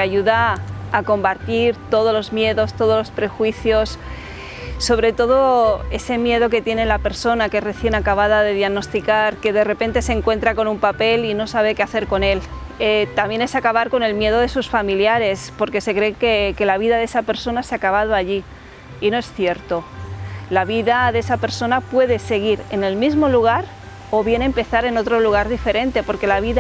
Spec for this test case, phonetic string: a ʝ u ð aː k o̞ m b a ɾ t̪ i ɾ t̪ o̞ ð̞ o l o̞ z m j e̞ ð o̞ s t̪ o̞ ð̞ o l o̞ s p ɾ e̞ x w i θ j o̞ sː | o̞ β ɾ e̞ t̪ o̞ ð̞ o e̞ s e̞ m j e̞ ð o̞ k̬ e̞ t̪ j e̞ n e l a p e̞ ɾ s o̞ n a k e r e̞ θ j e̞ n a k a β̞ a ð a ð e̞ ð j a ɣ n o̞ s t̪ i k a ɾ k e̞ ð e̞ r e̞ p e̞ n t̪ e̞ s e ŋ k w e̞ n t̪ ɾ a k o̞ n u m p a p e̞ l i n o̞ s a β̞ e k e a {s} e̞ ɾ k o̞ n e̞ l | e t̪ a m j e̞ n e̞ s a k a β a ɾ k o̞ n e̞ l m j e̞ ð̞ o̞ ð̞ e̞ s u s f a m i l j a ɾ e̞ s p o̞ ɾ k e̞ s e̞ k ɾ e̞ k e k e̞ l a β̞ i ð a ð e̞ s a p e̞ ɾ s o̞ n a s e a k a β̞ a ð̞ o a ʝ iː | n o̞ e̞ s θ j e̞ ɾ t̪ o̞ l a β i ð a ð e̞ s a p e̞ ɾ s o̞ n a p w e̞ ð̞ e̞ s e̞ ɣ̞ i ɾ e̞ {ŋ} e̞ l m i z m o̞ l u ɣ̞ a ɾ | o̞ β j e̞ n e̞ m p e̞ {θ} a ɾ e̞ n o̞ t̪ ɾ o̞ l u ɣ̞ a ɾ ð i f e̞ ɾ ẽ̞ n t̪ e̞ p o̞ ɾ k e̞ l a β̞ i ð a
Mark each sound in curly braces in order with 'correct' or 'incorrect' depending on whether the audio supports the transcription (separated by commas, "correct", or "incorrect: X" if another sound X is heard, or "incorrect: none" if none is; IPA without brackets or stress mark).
incorrect: θ, incorrect: n, correct